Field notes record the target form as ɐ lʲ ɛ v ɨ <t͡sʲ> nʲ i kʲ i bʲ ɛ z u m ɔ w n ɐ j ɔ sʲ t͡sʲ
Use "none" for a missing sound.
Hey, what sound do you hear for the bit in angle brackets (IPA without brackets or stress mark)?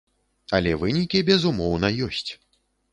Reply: none